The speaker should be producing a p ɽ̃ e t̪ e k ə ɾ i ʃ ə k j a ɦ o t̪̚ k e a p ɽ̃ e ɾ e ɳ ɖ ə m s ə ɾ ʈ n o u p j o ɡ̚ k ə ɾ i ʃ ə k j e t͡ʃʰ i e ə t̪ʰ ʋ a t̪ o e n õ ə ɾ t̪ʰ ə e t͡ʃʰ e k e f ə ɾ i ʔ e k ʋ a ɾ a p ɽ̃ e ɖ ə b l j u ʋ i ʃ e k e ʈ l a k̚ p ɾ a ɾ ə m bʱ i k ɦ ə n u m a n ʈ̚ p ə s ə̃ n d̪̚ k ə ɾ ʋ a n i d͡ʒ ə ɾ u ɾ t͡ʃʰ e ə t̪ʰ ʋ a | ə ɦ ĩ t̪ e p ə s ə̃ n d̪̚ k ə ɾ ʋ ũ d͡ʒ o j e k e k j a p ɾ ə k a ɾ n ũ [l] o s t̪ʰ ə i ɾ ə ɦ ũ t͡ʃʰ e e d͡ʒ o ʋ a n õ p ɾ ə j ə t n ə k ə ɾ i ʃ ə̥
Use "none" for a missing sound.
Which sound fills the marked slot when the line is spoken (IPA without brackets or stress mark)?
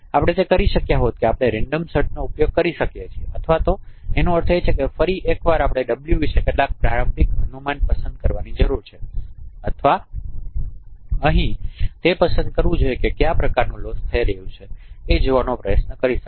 l